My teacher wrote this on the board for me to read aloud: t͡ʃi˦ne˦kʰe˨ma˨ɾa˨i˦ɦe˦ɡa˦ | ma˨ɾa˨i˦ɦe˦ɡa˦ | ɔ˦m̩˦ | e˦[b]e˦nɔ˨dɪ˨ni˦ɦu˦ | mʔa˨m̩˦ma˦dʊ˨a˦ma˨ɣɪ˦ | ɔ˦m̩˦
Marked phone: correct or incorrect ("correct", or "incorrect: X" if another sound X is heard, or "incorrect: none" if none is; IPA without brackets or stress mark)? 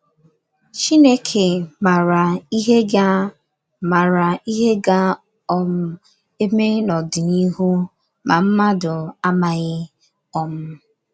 incorrect: m